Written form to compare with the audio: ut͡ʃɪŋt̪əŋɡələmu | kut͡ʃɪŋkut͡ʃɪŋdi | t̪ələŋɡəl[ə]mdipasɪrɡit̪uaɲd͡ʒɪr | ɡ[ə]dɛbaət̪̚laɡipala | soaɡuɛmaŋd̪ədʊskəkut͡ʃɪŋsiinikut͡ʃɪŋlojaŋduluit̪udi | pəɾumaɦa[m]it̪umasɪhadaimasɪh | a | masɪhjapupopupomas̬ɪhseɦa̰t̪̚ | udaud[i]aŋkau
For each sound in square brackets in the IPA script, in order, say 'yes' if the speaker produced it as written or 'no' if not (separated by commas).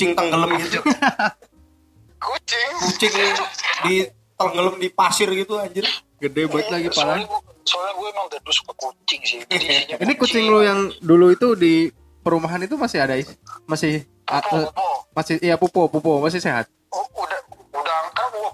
yes, yes, no, no